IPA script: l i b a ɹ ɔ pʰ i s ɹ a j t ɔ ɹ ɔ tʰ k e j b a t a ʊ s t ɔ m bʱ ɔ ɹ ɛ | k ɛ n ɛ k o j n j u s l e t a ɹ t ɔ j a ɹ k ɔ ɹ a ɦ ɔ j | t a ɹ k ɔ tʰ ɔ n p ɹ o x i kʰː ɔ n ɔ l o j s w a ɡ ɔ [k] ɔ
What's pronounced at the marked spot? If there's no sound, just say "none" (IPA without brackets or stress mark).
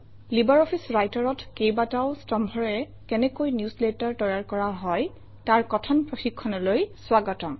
t